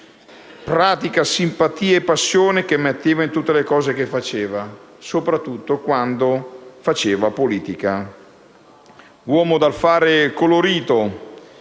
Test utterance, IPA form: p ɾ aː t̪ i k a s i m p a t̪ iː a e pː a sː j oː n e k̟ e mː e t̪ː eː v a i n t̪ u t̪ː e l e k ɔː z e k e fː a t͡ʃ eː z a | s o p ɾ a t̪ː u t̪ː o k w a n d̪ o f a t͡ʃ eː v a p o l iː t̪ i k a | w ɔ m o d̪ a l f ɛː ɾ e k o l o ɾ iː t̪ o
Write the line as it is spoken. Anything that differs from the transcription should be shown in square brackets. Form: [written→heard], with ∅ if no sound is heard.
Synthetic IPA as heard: p ɾ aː t̪ i k a s i m p a t̪ iː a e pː a sː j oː n e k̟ e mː e t̪ː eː v a i n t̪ u t̪ː e l e k ɔː z e k e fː a t͡ʃ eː [z→v] a | s o p ɾ a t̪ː u t̪ː o k w a n d̪ o f a t͡ʃ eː v a p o l iː t̪ i k a | w [ɔ→ɔː] m o d̪ a l f [ɛː→aː] ɾ e k o l o ɾ iː t̪ o